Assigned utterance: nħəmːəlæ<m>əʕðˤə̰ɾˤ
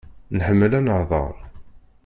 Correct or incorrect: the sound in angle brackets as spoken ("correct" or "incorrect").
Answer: incorrect